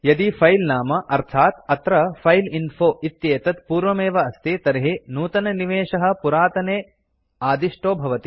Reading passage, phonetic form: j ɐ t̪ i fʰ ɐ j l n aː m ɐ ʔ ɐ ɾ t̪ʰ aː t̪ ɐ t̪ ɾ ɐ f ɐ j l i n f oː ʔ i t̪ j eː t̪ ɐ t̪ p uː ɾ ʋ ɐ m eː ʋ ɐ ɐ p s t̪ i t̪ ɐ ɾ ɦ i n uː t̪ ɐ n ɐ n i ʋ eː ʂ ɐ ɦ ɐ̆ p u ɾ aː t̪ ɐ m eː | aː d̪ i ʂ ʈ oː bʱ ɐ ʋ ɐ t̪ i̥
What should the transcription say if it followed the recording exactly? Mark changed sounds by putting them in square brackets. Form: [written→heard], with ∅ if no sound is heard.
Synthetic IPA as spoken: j ɐ [t̪→d̪] i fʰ ɐ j l n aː m ɐ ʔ ɐ ɾ t̪ʰ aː t̪ ɐ t̪ ɾ ɐ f ɐ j l i n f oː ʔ i t̪ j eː t̪ ɐ t̪ p uː ɾ ʋ ɐ m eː ʋ ɐ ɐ [p→∅] s t̪ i t̪ ɐ ɾ ɦ i n uː t̪ ɐ n ɐ n i ʋ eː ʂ ɐ ɦ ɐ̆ p u ɾ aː t̪ ɐ [m→n] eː | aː d̪ i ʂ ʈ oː bʱ ɐ ʋ ɐ t̪ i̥